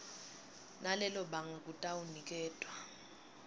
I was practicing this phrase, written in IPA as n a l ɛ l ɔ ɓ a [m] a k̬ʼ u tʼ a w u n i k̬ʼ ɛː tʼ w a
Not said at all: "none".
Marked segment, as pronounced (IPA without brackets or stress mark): ŋ